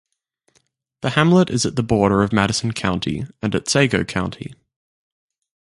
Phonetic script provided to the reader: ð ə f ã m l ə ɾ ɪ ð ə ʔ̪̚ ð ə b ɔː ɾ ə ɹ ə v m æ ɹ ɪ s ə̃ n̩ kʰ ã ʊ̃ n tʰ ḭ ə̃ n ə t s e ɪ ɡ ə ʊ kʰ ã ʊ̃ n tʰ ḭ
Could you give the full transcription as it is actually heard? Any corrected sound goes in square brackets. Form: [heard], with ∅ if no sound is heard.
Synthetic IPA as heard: ð ə [h] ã m l ə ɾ ɪ [z] ə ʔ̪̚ ð ə b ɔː ɾ ə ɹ ə v m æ [ɾ] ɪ s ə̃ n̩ kʰ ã ʊ̃ n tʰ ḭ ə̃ n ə t s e ɪ ɡ ə ʊ kʰ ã ʊ̃ n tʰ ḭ